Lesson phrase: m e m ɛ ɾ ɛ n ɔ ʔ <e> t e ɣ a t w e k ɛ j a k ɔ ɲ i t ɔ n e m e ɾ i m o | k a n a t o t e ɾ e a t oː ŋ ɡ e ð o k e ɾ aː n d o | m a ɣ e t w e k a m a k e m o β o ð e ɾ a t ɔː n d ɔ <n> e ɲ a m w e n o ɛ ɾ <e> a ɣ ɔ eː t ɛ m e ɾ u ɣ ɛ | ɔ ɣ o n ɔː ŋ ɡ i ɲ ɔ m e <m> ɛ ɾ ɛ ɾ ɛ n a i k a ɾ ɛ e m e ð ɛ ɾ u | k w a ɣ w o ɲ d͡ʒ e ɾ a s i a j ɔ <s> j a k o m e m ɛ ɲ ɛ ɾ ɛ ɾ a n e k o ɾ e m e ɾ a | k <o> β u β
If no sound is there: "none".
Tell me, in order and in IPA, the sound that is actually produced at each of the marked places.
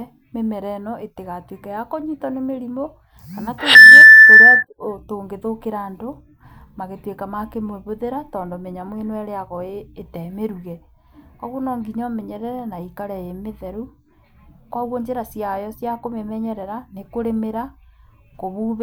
e, m, e, ɲ, s, o

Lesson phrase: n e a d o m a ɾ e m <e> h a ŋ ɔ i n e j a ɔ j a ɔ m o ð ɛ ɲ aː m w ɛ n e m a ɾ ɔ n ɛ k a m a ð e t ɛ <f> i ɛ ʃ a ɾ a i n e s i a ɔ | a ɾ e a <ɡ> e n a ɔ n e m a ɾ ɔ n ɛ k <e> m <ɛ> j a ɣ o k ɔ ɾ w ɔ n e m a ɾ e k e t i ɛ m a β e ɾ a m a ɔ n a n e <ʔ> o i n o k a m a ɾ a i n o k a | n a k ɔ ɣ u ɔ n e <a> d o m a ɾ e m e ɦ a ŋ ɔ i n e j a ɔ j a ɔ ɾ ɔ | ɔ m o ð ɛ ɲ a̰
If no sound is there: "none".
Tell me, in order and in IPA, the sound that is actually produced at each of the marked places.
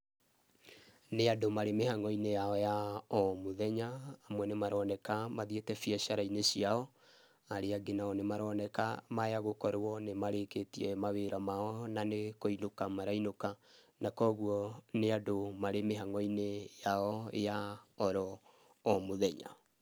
e, f, ɡ, a, a, k, a

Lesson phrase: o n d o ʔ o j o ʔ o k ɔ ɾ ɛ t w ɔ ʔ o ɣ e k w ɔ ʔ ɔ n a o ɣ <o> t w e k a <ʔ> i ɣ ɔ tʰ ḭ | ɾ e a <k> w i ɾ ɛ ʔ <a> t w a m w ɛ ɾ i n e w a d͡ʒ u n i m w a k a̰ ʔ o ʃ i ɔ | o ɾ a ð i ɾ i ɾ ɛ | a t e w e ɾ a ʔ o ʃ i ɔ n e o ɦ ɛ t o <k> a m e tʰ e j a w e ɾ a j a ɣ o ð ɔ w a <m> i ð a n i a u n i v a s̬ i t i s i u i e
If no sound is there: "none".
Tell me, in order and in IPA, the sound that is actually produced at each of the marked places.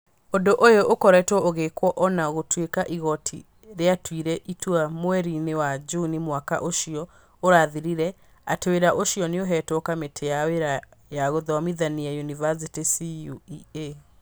o, ʔ, t, i, k, m

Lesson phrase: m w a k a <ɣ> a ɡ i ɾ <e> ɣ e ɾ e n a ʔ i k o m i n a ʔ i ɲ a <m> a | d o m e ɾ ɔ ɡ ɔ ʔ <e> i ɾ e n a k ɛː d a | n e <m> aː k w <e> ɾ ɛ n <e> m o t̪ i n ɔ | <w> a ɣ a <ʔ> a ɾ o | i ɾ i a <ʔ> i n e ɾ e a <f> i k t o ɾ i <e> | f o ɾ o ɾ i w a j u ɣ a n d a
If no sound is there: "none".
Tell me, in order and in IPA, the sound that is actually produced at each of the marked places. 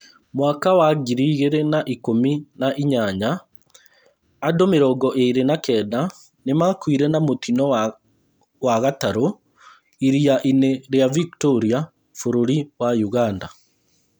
w, i, ɲ, e, m, i, a, w, t, ʔ, v, a

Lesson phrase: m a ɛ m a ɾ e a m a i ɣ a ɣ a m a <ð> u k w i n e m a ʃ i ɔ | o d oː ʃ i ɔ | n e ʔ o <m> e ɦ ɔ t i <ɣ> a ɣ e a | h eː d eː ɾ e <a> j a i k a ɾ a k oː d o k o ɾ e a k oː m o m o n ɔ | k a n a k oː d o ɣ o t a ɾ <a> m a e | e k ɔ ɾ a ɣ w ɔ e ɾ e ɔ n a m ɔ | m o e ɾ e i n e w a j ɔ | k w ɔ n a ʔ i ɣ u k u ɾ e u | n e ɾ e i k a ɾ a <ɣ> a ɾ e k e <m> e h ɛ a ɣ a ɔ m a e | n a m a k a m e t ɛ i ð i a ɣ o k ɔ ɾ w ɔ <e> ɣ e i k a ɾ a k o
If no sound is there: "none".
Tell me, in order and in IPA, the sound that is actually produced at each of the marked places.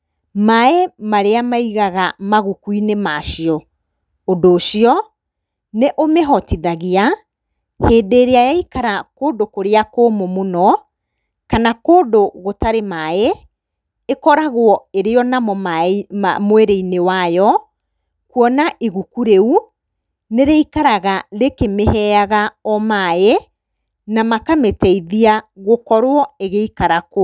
ɣ, m, ð, a, e, ɣ, m, e

